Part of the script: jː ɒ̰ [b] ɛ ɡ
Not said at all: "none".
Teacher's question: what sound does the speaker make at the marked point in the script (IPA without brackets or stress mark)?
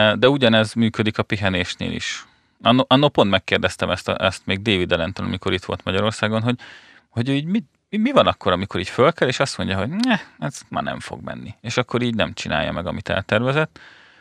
m